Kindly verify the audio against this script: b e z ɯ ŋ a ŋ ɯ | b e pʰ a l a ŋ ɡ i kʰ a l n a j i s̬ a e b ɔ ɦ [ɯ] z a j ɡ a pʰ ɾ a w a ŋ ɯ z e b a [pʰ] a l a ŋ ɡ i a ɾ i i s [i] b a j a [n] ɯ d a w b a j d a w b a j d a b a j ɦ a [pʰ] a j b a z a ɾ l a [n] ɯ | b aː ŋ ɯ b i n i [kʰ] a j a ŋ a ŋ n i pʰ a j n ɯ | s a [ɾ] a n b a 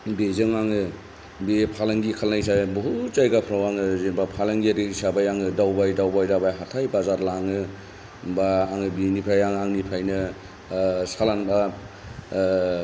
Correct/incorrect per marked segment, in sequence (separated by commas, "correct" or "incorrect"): incorrect, correct, incorrect, incorrect, incorrect, incorrect, incorrect, incorrect